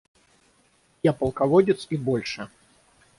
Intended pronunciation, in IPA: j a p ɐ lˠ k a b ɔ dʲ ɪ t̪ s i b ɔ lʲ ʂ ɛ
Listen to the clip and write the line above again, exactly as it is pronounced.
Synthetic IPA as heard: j a p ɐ lˠ k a v ɔ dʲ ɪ t̪ s i b ɔ lʲ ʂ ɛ

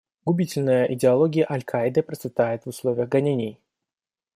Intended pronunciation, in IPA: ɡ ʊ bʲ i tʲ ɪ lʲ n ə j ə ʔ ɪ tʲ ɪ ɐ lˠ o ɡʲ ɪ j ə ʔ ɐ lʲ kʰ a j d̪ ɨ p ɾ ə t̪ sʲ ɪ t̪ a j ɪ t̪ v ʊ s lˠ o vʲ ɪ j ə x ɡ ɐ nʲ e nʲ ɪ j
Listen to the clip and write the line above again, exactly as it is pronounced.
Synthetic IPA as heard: ɡ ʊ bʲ i tʲ ɪ lʲ n ə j ə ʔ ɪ dʲ ɪ ɐ lˠ o ɡʲ ɪ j ə ʔ ɐ lʲ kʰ a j d̪ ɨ p ɾ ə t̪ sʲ ɪ t̪ a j ɪ t̪ v ʊ s lˠ o vʲ ɪ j ə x ɡ ɐ nʲ e nʲ ɪ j

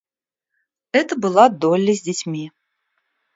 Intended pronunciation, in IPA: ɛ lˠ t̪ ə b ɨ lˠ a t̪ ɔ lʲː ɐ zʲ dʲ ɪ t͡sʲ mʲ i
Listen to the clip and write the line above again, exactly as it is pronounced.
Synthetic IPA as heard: ɛ t̪ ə b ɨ lˠ a d̪ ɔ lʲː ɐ zʲ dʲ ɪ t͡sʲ mʲ i

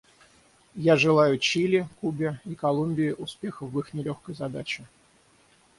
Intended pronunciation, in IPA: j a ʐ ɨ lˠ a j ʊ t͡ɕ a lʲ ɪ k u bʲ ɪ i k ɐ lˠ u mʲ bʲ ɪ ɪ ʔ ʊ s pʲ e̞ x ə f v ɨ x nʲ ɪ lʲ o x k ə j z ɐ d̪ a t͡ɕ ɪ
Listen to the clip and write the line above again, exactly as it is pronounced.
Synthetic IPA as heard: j a ʐ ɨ lˠ a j ʊ t͡ɕ i lʲ ɪ k u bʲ ɪ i k ɐ lˠ u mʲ bʲ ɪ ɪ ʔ ʊ s pʲ e̞ x ə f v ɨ x nʲ ɪ lʲ o x k ə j z ɐ d̪ a t͡ɕ ɪ

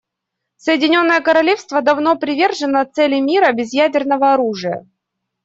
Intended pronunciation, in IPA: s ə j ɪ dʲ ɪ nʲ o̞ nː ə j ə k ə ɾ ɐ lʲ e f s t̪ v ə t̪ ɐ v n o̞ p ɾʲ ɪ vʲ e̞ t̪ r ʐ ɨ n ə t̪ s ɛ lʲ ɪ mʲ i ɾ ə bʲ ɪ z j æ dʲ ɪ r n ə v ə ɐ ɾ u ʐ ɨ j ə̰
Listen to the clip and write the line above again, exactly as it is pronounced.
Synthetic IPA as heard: s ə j ɪ dʲ ɪ nʲ o̞ nː ə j ə k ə ɾ ɐ lʲ e f s t̪ v ə d̪ ɐ v n o̞ p ɾʲ ɪ vʲ e̞ r ʐ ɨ n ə t̪ s ɛ lʲ ɪ mʲ i ɾ ə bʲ ɪ z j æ dʲ ɪ r n ə v ə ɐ ɾ u ʐ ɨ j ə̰

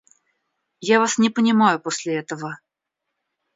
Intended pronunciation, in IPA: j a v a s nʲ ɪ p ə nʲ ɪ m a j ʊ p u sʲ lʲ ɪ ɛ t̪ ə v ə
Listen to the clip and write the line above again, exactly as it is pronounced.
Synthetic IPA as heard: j a v a s nʲ ɪ p ə nʲ ɪ m a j ʊ p o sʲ lʲ ɪ ɛ t̪ ə v ə

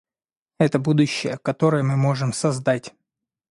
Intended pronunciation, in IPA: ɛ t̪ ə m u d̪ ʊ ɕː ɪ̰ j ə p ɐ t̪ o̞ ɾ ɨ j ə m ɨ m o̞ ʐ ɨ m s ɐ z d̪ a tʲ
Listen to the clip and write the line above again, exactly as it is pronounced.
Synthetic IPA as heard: ɛ t̪ ə b u d̪ ʊ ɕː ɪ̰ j ə k ɐ t̪ o̞ ɾ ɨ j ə m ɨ m o̞ ʐ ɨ m s ɐ z d̪ a tʲ

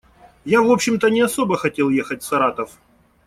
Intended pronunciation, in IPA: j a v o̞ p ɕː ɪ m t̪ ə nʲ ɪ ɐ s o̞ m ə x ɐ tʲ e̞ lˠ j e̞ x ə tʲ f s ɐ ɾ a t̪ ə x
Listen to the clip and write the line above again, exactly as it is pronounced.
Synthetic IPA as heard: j a v o̞ p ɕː ɪ m t̪ ə nʲ ɪ ɐ s o̞ b ə x ɐ tʲ e̞ lˠ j e̞ x ə tʲ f s ɐ ɾ a t̪ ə f

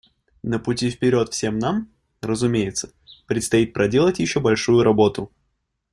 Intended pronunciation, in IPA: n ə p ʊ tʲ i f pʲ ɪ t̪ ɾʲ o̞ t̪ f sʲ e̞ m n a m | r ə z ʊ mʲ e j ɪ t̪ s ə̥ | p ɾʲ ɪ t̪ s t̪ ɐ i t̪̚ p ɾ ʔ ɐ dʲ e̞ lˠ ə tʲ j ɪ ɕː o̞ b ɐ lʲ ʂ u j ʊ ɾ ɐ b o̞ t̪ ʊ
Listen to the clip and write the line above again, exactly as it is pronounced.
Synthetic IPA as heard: n ə p ʊ tʲ i f pʲ ɪ ɾʲ o̞ t̪ f sʲ e̞ m n a m | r ə z ʊ mʲ e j ɪ t̪ s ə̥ | p ɾʲ ɪ t̪ s t̪ ɐ i t̪̚ p ɾ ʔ ɐ dʲ e̞ lˠ ə tʲ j ɪ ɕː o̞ b ɐ lʲ ʂ u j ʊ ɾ ɐ b o̞ t̪ ʊ

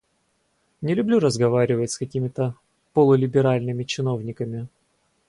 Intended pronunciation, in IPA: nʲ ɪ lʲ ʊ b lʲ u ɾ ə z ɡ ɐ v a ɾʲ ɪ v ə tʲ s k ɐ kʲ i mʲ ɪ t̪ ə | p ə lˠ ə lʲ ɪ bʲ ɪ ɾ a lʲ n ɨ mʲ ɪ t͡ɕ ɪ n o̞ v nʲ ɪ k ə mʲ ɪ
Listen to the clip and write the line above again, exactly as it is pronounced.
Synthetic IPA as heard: nʲ ɪ lʲ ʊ b lʲ u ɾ ə z ɡ ɐ v a ɾʲ ɪ v ə tʲ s k ɐ kʲ i mʲ ɪ t̪ ə | p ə lˠ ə lʲ ɪ bʲ ɪ ɾ a lʲ n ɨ mʲ ɪ t͡ɕ ɪ n o̞ v nʲ ɪ k ə mʲ ɪ

